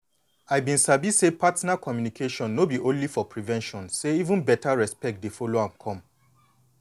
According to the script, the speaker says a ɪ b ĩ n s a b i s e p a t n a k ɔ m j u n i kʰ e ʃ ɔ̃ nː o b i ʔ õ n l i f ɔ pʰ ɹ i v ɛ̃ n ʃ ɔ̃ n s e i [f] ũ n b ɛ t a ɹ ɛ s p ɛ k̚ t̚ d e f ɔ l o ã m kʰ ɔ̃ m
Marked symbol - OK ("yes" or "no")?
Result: no